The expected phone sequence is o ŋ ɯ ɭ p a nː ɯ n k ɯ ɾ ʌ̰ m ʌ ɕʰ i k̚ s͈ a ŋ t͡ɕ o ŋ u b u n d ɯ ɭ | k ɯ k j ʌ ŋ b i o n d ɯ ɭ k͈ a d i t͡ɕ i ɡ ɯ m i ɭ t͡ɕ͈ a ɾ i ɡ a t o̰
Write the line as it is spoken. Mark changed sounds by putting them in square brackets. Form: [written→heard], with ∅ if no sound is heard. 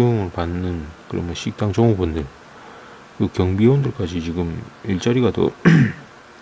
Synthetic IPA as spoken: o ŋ ɯ ɭ p a nː ɯ n k ɯ ɾ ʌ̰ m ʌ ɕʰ i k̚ [s͈→t͈] a ŋ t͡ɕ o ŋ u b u n d ɯ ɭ | k ɯ k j ʌ ŋ b i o n d ɯ ɭ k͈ a [d→d͡ʑ] i t͡ɕ i ɡ ɯ m i ɭ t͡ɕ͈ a ɾ i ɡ a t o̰